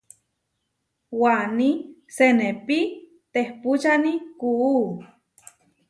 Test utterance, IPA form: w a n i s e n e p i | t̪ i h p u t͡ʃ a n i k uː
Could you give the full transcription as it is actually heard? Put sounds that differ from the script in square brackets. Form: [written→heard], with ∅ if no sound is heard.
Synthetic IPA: w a n i s e n e p i | t̪ [i→e] h p u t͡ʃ a n i k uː